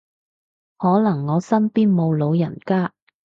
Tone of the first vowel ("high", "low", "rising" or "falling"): rising